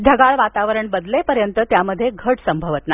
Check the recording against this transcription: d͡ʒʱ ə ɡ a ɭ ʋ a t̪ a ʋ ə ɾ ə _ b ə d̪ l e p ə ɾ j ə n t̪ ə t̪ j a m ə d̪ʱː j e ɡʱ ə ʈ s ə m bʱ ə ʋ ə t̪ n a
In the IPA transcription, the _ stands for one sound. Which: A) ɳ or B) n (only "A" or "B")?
A